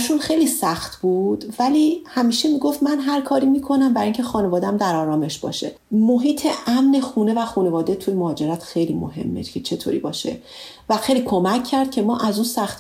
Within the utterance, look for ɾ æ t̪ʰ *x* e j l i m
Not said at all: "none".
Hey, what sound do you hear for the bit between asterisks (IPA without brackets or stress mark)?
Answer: x